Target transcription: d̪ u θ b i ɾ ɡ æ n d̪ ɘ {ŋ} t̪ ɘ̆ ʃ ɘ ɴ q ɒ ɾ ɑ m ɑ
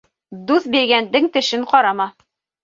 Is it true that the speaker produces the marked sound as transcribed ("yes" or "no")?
yes